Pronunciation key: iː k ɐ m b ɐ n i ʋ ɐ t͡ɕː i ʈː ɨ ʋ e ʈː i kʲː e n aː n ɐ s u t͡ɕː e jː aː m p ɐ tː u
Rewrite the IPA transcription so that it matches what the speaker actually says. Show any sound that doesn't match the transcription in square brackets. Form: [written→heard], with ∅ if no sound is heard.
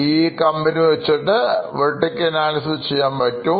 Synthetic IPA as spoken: iː k ɐ m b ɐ n i ʋ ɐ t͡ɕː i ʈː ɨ ʋ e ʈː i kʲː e n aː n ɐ s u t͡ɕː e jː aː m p ɐ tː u